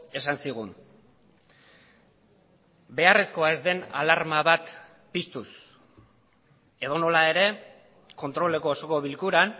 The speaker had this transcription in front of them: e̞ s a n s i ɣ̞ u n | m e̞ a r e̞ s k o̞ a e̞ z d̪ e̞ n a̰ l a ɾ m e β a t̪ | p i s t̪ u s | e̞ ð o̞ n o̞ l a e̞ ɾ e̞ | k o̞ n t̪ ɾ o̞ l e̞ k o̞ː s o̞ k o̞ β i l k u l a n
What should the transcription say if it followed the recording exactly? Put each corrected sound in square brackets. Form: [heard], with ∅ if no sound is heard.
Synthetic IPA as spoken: e̞ s a n s i ɣ̞ u n | [b] e̞ a r e̞ s k o̞ a e̞ z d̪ e̞ n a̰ l a ɾ m [a] β a t̪ | p i s t̪ u s | e̞ ð o̞ n o̞ l a e̞ ɾ e̞ | k o̞ n t̪ ɾ o̞ l e̞ k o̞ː s o̞ k o̞ β i l k u [ɾ] a n